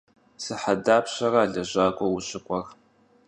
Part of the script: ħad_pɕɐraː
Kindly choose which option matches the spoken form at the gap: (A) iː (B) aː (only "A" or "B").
B